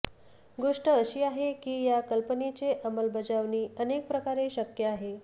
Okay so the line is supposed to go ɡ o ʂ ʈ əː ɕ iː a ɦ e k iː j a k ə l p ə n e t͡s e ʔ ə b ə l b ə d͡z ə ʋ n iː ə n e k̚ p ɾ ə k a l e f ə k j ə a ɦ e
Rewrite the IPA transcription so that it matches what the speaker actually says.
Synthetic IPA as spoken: ɡ o ʂ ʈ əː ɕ iː a ɦ e k iː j a k ə l p ə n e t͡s e ʔ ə m ə l b ə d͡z a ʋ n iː ə n e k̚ p ɾ ə k a ɾ e ɕ ə k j ə a ɦ e